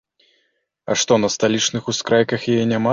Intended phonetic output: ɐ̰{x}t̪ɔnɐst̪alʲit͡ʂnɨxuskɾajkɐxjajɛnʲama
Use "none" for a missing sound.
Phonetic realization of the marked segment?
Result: ʂ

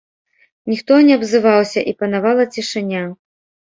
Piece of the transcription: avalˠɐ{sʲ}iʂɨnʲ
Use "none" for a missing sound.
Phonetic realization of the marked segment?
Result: t͡sʲ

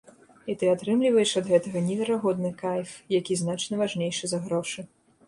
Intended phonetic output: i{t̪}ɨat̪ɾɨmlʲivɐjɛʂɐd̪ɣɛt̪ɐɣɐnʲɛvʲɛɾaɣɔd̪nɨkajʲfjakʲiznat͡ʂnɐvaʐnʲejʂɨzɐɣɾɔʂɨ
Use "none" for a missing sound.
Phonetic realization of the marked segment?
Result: t̪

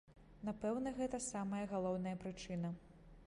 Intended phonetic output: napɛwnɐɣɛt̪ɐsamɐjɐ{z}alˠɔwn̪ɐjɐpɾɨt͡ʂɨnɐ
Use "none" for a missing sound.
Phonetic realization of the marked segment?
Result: ɣ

